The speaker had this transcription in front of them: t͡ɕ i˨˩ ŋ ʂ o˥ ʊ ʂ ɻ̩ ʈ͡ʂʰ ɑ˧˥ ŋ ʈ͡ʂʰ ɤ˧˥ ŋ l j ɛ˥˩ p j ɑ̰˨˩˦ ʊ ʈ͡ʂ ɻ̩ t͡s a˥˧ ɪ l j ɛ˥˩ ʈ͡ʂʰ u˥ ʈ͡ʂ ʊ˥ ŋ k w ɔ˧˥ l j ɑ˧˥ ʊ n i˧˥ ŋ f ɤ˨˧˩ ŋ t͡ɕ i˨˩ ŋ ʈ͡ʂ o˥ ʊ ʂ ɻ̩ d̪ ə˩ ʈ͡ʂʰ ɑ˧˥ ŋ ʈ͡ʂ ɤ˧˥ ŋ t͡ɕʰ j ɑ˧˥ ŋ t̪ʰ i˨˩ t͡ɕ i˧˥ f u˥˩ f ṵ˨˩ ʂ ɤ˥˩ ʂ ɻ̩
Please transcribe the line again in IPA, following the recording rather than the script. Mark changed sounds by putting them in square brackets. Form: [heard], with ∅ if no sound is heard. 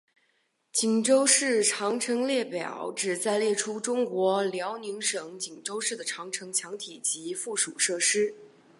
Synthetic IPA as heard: t͡ɕ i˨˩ ŋ [ʈ͡ʂ] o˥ ʊ ʂ ɻ̩ ʈ͡ʂʰ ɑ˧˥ ŋ ʈ͡ʂʰ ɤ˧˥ ŋ l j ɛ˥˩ p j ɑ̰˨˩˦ ʊ ʈ͡ʂ ɻ̩ t͡s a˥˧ ɪ l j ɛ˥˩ ʈ͡ʂʰ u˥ ʈ͡ʂ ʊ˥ ŋ k w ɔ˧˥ l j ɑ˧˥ ʊ n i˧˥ ŋ [ʂ] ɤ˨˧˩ ŋ t͡ɕ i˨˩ ŋ ʈ͡ʂ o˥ ʊ ʂ ɻ̩ d̪ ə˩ ʈ͡ʂʰ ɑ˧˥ ŋ [ʈ͡ʂʰ] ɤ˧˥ ŋ t͡ɕʰ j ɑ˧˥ ŋ t̪ʰ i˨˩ t͡ɕ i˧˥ f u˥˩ [ʂ] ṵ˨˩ ʂ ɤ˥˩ ʂ ɻ̩